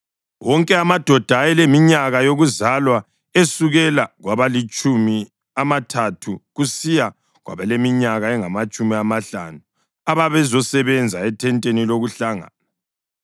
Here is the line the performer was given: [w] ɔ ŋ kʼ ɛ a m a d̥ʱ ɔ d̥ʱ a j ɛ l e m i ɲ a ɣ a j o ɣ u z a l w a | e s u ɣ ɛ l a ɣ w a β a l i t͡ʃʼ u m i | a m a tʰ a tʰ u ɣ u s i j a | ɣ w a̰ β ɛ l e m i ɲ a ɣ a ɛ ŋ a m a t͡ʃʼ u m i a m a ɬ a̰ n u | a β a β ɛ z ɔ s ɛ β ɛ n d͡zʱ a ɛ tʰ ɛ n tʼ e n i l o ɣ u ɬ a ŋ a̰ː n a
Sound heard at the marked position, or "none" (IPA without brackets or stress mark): w